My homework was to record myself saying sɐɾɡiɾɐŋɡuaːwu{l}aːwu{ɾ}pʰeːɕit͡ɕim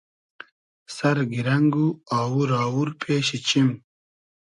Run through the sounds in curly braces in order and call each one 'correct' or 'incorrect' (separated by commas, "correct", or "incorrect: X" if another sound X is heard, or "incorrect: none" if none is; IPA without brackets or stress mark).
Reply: incorrect: ɾ, correct